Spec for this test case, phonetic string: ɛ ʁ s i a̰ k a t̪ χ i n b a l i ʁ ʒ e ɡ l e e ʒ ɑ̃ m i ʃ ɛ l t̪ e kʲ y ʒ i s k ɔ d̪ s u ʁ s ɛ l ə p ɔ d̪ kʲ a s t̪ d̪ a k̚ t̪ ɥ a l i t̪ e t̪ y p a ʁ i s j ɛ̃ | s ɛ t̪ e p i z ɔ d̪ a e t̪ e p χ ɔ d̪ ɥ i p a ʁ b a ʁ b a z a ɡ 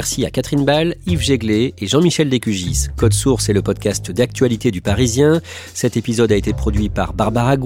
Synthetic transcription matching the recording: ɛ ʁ s i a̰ k a t̪ χ i n b a l i v ʒ e ɡ l e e ʒ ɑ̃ m i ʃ ɛ l d̪ e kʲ y ʒ i s k ɔ d̪ s u ʁ s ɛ l ə p ɔ d̪ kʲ a s t̪ d̪ a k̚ t̪ ɥ a l i t̪ e d̪ y p a ʁ i z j ɛ̃ | s ɛ t̪ e p i z ɔ d̪ a e t̪ e p χ ɔ d̪ ɥ i p a ʁ b a ʁ b a ʁ a ɡ